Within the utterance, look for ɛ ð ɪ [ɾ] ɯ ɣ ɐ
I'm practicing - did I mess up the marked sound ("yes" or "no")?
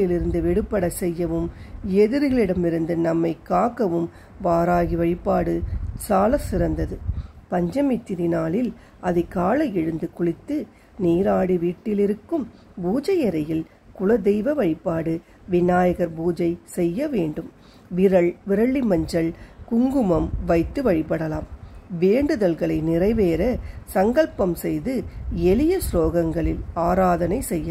no